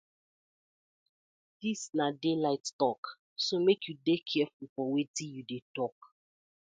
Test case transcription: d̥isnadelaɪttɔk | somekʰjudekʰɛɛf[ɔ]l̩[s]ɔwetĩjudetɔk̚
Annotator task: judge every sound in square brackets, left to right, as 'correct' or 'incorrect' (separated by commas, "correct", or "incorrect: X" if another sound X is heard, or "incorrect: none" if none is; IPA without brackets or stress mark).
incorrect: u, incorrect: f